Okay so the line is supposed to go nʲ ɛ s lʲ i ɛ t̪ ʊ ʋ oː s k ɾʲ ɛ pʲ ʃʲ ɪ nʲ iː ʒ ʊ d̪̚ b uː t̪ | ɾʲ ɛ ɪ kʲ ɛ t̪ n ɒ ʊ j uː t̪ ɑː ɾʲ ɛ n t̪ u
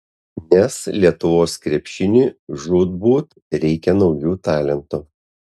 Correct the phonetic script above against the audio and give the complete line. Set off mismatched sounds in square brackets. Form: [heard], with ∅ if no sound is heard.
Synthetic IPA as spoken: nʲ ɛ s lʲ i ɛ t̪ ʊ ʋ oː s k ɾʲ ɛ pʲ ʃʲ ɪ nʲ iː ʒ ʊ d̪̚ b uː t̪ | ɾʲ ɛ ɪ kʲ ɛ [∅] n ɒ ʊ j uː t̪ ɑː [lʲ] ɛ n t̪ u